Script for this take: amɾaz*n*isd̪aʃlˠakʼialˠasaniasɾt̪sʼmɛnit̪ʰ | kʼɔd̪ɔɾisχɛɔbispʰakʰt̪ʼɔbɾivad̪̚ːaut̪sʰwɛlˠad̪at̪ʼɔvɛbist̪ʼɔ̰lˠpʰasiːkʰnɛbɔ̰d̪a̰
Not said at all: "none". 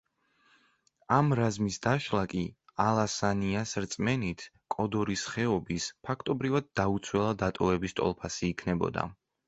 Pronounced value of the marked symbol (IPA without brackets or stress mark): m